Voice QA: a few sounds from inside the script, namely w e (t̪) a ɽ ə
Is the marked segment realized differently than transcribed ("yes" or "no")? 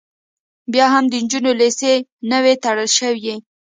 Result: no